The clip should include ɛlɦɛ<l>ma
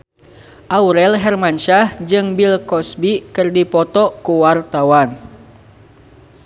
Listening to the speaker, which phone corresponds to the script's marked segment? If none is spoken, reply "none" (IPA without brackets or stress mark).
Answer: r